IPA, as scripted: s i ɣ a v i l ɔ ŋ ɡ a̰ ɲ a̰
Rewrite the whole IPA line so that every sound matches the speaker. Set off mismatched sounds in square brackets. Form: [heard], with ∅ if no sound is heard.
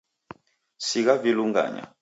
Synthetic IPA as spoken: s i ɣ a v i l [u] ŋ ɡ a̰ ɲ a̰